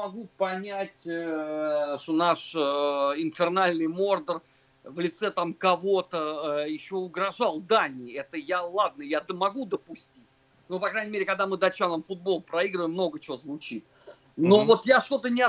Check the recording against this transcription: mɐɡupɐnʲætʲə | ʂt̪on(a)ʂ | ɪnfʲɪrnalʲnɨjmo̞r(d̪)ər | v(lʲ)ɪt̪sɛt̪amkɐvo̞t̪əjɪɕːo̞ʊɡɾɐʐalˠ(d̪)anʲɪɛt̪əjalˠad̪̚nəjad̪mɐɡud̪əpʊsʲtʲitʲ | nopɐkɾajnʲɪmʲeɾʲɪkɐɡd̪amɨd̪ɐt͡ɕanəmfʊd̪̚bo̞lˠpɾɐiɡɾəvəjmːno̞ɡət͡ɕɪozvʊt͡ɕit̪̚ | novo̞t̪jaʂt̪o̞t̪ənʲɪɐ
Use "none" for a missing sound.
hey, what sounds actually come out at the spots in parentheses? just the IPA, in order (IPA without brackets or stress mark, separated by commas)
a, d̪, lʲ, d̪